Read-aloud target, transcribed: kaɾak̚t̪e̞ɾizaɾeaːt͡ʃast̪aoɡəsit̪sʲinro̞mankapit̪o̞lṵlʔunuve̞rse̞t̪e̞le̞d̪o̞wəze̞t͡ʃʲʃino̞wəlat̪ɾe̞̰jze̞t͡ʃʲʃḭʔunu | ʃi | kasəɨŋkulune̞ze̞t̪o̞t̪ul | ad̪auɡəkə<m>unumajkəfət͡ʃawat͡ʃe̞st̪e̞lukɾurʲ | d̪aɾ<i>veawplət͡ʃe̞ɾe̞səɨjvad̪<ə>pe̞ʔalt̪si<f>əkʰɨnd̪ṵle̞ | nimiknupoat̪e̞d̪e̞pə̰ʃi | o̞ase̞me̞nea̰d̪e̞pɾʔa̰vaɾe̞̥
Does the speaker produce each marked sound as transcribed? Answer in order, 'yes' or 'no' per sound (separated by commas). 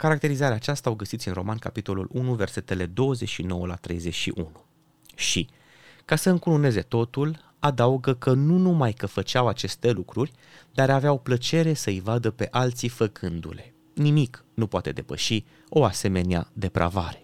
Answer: no, no, yes, yes